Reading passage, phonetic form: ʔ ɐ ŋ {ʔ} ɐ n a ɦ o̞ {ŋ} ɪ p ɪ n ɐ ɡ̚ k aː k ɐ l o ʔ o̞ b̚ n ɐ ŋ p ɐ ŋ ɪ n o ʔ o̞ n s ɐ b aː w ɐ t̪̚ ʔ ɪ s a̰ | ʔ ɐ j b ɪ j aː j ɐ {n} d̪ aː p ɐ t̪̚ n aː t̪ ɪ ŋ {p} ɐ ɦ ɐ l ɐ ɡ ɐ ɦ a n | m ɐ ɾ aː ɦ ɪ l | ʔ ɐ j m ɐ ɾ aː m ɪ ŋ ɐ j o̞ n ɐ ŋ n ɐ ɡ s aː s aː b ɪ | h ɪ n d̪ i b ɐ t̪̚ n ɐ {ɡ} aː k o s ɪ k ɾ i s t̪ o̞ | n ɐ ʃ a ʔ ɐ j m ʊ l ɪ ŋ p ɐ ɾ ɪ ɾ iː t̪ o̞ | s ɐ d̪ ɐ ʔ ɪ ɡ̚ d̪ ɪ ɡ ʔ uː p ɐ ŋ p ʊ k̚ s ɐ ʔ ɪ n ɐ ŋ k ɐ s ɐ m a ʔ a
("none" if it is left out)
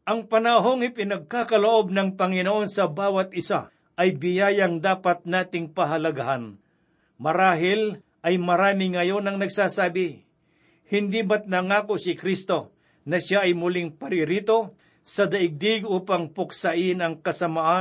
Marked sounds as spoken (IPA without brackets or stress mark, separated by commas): p, ŋ, ŋ, p, ŋ